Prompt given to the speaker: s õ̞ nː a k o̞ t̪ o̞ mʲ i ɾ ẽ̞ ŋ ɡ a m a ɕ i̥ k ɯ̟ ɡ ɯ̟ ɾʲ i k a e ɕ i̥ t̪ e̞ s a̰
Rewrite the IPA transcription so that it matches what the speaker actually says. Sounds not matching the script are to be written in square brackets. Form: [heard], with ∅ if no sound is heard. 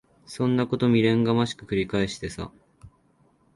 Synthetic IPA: s õ̞ nː a k o̞ t̪ o̞ mʲ i ɾ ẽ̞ ŋ ɡ a m a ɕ i̥ k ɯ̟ [k] ɯ̟ ɾʲ i k a e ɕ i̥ t̪ e̞ s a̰